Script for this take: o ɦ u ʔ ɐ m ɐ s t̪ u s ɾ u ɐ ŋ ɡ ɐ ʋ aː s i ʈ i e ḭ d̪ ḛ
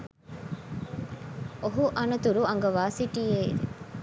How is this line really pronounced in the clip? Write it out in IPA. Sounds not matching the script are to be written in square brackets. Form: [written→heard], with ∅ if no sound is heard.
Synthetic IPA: o ɦ u ʔ ɐ [m→n] ɐ [s→∅] t̪ u [s→∅] ɾ u ɐ ŋ ɡ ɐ ʋ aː s i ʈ i e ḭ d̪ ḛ